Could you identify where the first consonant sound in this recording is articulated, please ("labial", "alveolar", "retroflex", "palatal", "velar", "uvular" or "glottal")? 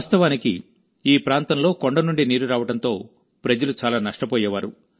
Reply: alveolar